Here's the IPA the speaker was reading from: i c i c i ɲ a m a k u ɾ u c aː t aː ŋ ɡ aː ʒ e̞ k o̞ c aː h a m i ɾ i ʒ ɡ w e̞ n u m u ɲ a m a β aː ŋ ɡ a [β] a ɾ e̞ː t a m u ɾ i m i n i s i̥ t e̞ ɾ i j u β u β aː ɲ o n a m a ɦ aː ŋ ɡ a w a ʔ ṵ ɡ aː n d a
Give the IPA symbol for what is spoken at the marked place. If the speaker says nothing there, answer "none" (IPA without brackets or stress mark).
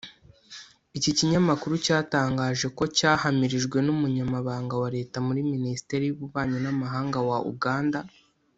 w